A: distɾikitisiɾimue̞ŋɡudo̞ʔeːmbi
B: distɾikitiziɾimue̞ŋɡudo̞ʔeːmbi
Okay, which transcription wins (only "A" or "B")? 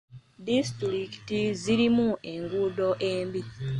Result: B